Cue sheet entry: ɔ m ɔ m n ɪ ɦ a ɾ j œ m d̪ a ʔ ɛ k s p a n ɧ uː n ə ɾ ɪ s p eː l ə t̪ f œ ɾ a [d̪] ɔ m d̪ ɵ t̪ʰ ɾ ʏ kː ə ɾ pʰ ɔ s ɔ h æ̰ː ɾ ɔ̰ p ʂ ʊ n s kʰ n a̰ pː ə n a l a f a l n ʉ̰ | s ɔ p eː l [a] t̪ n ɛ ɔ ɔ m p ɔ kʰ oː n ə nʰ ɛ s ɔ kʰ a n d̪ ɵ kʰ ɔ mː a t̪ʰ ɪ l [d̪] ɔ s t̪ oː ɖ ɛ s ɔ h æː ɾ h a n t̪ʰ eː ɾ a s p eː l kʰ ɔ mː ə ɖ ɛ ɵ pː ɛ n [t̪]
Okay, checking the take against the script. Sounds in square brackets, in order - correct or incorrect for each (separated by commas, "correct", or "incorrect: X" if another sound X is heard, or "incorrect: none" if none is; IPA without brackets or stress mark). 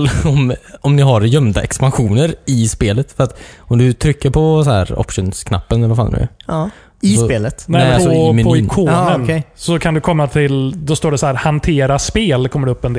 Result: incorrect: t̪, incorrect: ə, correct, incorrect: d̪